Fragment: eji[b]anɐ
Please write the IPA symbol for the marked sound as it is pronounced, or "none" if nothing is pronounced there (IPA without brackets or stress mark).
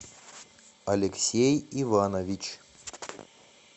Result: v